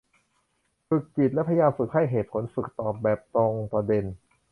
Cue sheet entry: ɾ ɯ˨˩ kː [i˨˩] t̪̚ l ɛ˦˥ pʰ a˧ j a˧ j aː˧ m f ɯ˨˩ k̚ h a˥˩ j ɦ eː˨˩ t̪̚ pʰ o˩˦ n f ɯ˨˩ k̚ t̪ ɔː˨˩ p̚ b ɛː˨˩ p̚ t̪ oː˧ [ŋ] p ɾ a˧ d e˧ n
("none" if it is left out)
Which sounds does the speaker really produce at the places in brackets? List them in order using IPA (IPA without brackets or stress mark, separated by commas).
i˨˩, ŋ